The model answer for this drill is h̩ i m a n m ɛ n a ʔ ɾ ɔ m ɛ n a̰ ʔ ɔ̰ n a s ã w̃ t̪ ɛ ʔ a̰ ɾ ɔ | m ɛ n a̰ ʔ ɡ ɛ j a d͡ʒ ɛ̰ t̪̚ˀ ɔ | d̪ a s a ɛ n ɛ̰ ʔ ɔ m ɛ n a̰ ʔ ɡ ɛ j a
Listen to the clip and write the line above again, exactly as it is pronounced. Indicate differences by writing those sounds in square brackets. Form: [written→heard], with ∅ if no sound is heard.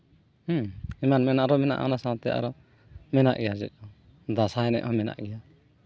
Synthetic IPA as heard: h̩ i m a n m ɛ n a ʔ ɾ ɔ m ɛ n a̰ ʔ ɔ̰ n a s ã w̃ t̪ ɛ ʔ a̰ ɾ ɔ | m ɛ n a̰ ʔ ɡ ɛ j a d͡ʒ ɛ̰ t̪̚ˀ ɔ | d̪ a s a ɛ n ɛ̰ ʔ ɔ m ɛ n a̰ ʔ ɡ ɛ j a